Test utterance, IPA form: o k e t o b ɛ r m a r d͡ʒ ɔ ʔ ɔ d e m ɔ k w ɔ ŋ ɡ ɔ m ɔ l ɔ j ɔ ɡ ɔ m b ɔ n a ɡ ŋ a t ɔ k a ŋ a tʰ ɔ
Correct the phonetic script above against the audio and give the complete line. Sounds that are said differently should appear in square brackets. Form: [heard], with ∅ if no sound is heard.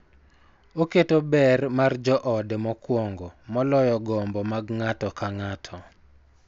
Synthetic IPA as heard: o k e t o b ɛ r m a r d͡ʒ ɔ ʔ ɔ d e m ɔ k w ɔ ŋ ɡ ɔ m ɔ l ɔ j ɔ ɡ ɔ m b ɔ [m] a ɡ ŋ a t ɔ k a ŋ a tʰ ɔ